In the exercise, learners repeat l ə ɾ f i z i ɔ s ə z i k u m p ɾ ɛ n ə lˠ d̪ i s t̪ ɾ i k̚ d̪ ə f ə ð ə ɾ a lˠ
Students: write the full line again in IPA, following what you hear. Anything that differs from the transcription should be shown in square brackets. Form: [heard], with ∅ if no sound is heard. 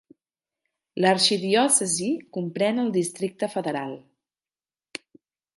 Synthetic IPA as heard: l ə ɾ [ʃ] i [ð] i ɔ s ə z i k u m p ɾ ɛ n ə lˠ d̪ i s t̪ ɾ i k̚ [t̪] ə f ə ð ə ɾ a lˠ